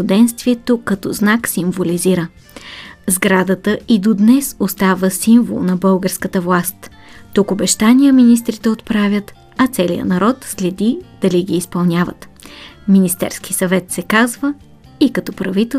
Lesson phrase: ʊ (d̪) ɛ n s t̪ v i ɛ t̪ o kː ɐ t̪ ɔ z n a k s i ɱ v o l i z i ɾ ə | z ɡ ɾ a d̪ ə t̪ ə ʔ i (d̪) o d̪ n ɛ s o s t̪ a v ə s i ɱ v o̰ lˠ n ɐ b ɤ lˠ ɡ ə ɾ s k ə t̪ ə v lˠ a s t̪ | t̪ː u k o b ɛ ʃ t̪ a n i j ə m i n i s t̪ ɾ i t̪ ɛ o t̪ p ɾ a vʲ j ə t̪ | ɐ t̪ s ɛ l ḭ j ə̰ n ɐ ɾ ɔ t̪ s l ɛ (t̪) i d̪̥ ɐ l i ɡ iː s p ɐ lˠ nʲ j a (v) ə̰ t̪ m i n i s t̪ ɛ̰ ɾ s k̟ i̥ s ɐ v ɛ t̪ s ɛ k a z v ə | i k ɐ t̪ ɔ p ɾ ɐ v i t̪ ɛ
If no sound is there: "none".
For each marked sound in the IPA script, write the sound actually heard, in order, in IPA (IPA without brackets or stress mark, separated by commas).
d̪, d̪, d̪, v